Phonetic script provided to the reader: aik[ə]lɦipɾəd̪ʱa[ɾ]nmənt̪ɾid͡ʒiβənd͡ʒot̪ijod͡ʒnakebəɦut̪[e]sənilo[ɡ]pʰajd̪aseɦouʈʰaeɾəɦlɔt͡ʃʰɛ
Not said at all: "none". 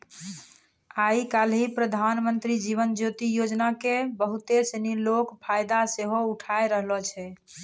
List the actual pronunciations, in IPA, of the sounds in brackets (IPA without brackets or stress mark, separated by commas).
a, none, e, k